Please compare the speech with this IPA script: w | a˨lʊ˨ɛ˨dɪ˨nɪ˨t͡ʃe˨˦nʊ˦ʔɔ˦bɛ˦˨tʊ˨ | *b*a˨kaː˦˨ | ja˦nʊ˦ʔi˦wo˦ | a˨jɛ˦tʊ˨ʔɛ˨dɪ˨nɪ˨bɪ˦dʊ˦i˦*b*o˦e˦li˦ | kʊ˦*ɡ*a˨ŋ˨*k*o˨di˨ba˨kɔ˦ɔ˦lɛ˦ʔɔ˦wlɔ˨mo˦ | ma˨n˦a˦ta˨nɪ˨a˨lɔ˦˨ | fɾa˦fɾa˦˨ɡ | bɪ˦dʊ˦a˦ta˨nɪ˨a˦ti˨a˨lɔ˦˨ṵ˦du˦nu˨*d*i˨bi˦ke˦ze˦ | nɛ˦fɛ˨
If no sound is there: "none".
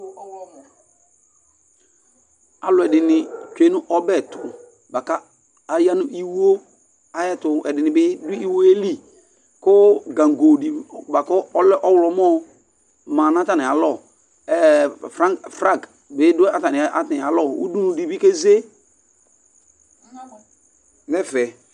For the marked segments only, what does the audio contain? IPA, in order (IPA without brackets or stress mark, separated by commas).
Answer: b, w, ɡ, ɡ, d